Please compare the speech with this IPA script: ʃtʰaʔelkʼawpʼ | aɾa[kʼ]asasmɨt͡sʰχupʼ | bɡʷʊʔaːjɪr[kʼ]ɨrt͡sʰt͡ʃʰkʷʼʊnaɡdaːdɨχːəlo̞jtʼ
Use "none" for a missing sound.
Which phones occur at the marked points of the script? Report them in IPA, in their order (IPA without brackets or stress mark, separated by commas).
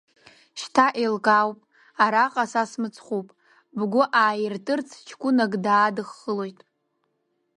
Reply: qʼ, tʼ